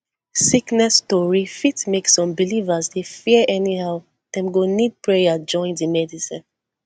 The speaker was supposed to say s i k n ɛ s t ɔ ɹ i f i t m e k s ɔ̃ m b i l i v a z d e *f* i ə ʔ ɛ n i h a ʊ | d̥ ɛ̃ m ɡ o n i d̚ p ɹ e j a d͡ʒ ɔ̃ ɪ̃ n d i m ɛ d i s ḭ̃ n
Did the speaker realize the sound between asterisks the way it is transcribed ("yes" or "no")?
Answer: yes